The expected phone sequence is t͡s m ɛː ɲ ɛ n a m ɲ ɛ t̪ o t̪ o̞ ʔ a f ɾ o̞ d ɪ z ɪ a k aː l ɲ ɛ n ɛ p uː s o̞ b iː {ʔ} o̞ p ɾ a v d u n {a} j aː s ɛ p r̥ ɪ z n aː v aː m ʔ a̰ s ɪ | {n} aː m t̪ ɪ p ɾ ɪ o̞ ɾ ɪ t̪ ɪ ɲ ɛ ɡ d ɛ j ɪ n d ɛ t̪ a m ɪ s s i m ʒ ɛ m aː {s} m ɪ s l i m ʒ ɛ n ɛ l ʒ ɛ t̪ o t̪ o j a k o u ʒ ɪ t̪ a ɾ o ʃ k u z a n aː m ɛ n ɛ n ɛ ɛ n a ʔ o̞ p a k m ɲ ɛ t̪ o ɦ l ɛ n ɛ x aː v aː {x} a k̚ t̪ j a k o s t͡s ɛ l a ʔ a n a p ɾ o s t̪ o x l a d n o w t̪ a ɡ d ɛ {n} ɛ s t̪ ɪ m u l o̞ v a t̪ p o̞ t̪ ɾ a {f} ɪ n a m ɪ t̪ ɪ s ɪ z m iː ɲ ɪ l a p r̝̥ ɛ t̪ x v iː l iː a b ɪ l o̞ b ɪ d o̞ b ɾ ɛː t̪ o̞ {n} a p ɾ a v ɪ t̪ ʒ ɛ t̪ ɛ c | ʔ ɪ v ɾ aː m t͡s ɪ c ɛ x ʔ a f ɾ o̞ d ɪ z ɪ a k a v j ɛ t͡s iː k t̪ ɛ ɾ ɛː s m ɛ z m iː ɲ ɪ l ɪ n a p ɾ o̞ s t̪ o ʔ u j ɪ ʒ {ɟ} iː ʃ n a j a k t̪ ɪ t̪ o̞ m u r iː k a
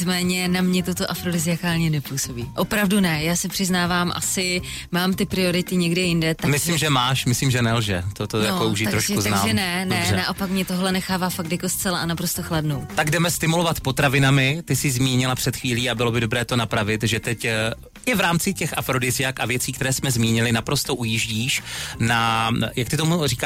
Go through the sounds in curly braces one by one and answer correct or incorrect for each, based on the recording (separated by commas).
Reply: correct, incorrect, incorrect, incorrect, incorrect, incorrect, incorrect, correct, correct